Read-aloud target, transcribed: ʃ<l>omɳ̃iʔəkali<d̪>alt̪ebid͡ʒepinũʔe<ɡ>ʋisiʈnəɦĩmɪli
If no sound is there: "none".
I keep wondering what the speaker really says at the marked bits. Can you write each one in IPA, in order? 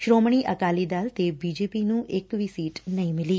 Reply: ɾ, d̪, k

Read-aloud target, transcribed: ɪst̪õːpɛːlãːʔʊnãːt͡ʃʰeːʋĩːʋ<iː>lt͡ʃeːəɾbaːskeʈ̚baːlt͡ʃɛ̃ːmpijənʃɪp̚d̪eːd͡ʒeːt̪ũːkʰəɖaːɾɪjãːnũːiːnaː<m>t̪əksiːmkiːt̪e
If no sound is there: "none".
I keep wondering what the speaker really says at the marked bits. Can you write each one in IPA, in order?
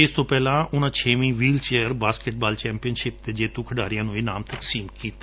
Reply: iː, m

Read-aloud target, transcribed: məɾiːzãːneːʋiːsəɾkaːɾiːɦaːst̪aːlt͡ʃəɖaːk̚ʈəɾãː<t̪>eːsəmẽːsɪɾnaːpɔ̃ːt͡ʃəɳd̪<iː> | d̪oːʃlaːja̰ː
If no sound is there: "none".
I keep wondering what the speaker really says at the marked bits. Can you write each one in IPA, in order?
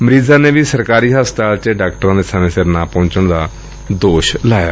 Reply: d̪, aː

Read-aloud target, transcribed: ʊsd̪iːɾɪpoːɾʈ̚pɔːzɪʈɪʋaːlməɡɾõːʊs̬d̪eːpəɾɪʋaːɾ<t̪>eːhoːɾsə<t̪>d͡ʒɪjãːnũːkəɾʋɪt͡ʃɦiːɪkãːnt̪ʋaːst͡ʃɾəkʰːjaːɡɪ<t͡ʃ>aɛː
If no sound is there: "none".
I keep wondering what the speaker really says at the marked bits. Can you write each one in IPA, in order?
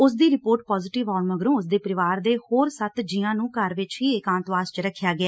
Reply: d̪, t̪, none

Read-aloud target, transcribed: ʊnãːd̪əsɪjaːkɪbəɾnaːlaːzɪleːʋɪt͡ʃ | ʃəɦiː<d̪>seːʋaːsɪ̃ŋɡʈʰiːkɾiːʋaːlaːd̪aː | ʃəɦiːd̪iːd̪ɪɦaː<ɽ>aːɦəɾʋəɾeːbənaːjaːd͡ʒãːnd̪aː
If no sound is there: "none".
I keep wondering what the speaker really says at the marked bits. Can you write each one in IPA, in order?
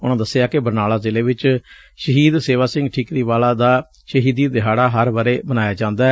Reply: d̪, ɽ

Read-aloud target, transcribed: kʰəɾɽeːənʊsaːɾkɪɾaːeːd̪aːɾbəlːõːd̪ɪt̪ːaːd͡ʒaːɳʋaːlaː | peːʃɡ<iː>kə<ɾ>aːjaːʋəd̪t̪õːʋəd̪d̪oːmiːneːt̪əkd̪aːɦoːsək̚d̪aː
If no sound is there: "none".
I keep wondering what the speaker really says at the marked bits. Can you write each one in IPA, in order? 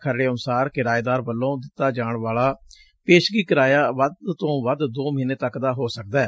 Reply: iː, ɾ

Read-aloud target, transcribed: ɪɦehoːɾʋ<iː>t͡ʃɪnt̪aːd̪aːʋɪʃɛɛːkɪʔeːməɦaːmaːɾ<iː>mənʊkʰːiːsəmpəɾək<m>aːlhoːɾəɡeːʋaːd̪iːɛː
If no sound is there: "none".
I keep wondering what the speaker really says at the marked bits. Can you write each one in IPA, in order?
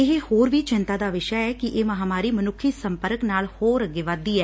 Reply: iː, iː, n

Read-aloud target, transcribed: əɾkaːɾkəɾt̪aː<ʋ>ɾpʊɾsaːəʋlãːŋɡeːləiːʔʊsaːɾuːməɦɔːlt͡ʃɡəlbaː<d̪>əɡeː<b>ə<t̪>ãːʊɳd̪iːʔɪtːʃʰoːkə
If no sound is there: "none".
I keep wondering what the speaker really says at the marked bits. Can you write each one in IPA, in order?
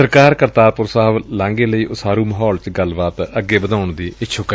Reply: none, t̪, b, d̪

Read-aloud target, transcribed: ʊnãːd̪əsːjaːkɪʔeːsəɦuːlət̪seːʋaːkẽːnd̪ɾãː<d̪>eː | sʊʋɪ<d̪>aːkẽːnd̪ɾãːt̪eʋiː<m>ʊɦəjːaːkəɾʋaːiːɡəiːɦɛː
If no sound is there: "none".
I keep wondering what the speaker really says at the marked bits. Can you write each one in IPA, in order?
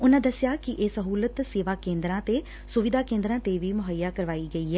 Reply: t̪, d̪, m

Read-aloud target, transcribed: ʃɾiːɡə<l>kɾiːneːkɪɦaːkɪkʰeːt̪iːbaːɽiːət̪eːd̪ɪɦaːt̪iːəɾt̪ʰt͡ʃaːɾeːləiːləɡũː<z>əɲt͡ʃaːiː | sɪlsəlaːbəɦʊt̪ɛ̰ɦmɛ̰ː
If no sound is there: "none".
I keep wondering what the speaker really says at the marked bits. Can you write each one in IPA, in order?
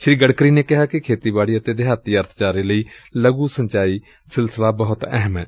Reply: ɽ, s

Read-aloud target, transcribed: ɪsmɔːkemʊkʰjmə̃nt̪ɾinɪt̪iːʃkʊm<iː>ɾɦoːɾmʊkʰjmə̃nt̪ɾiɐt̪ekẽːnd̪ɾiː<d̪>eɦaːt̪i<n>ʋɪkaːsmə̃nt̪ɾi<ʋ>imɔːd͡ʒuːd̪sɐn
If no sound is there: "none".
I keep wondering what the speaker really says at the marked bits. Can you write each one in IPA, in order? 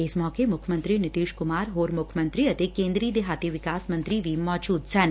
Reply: aː, d̪, none, ʋ

